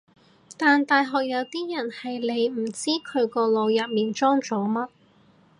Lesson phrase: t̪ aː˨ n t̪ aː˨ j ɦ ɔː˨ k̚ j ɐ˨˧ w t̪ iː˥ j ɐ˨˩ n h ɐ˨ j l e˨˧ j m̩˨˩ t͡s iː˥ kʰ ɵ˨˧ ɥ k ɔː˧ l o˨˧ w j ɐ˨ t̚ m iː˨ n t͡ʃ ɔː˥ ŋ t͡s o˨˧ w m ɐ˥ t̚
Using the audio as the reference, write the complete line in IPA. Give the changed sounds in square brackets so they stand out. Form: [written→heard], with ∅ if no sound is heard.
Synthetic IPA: t̪ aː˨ n t̪ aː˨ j ɦ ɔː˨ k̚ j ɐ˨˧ w t̪ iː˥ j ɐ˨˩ n h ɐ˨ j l e˨˧ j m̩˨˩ t͡s iː˥ kʰ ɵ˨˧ ɥ k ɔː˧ l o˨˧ w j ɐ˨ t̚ m iː˨ n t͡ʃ ɔː˥ ŋ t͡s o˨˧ w m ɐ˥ t̚

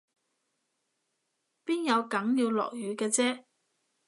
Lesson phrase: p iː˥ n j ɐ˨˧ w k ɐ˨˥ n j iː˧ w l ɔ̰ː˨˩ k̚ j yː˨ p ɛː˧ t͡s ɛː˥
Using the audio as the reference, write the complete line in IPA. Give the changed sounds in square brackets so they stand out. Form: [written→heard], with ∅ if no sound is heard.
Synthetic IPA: p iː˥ n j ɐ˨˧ w k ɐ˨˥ [n→ŋ] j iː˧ w l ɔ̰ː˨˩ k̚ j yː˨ [p→k] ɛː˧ t͡s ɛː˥

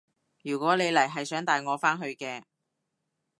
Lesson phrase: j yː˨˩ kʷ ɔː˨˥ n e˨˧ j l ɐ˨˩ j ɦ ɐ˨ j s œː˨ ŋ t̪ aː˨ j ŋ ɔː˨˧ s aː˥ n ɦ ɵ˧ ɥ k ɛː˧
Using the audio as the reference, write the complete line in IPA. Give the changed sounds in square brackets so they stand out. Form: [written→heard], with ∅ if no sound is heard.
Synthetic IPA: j yː˨˩ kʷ ɔː˨˥ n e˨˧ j l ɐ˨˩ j ɦ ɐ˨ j s [œː˨→œː˨˥] ŋ t̪ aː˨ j ŋ ɔː˨˧ [s→f] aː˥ n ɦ ɵ˧ ɥ k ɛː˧

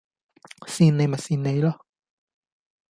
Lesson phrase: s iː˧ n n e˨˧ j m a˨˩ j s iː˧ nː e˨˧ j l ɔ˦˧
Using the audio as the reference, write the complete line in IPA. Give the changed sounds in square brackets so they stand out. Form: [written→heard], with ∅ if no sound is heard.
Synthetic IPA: s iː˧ n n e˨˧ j m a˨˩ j s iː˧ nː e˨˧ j l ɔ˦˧

